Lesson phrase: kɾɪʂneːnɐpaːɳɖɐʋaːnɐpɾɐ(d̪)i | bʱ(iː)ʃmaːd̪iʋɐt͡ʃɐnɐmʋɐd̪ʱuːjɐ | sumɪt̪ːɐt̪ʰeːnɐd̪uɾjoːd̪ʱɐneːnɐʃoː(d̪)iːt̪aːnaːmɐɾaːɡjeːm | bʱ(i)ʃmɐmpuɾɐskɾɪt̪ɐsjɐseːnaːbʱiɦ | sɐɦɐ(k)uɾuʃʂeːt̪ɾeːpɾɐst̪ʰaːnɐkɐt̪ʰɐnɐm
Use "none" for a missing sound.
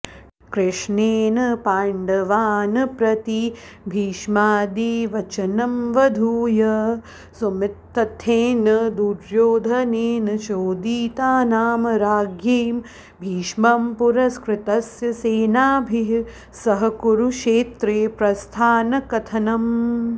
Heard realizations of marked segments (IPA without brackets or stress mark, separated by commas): t̪, iː, d̪, iː, k